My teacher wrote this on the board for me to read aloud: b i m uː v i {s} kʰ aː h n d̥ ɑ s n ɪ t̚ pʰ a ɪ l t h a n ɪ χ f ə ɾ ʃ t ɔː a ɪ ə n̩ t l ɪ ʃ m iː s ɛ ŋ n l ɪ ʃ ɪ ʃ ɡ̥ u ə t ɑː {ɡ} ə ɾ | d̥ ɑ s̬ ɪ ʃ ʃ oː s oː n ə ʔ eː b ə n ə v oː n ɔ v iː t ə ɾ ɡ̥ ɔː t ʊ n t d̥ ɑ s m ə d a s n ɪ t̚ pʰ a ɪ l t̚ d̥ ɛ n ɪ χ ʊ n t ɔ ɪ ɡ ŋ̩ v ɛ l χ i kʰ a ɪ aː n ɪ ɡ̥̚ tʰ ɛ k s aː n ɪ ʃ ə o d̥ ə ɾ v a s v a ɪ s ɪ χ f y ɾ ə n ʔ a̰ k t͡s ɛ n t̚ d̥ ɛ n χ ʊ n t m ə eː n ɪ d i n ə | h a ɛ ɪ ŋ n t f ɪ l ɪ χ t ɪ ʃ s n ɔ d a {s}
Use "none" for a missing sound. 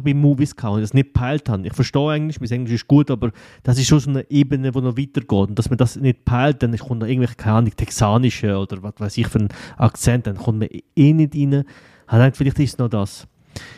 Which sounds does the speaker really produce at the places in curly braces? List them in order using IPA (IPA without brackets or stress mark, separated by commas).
s, b, s